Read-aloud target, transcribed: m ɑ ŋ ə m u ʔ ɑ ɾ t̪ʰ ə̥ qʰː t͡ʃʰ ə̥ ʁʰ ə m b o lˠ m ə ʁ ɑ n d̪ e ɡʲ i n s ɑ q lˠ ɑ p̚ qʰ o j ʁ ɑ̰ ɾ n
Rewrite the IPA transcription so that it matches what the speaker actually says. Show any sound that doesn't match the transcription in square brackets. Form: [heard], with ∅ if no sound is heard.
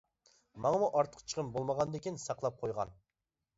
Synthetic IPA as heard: m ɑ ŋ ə m u ʔ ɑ ɾ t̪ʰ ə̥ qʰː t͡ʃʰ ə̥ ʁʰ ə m b o lˠ m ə ʁ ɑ n d̪ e [kʲ] i n s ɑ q lˠ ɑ p̚ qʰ o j ʁ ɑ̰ [∅] n